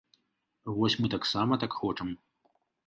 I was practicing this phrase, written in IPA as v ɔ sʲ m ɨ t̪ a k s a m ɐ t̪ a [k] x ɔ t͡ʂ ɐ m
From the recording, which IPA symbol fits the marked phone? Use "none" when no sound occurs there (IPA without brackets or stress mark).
k